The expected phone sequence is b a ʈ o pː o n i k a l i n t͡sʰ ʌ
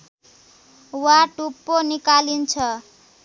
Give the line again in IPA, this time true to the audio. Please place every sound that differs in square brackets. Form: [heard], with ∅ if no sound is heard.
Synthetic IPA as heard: [w] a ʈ [u] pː o n i k a l i n t͡sʰ ʌ